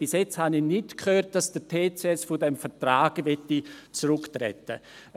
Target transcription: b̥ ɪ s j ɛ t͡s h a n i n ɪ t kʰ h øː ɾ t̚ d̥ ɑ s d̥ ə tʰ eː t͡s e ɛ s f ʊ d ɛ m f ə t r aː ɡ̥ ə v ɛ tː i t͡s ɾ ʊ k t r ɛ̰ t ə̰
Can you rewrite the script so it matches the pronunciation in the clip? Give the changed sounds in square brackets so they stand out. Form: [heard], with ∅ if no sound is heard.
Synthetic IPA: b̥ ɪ s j ɛ t͡s h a n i n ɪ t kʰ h øː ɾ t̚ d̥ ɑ s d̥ ə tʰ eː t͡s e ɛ s f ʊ d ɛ m f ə t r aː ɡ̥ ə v ɛ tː i t͡s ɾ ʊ k t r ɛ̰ t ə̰